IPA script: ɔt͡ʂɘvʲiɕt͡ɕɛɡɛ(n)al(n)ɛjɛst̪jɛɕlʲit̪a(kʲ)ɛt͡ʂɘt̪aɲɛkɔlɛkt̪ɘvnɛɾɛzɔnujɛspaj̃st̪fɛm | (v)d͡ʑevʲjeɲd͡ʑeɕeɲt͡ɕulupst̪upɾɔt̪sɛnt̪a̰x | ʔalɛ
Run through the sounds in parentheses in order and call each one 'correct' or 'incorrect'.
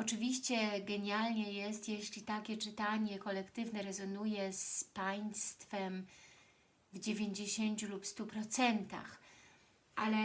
incorrect: ɲ, incorrect: ɲ, correct, correct

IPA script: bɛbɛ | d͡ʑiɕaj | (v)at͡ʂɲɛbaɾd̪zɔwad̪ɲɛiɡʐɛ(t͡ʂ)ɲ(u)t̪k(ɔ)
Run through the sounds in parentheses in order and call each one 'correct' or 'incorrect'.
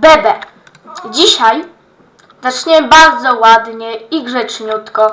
incorrect: z, correct, correct, correct

